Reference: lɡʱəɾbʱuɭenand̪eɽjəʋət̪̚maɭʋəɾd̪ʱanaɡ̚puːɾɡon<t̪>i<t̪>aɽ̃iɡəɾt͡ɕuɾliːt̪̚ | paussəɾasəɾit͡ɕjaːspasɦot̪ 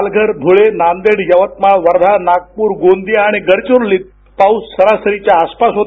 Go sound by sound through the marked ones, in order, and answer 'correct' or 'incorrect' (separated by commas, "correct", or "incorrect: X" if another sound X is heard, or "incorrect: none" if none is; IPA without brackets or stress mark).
incorrect: d̪, incorrect: none